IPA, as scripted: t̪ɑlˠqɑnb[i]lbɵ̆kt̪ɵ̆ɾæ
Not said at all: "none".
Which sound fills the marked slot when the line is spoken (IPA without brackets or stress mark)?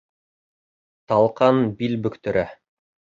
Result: i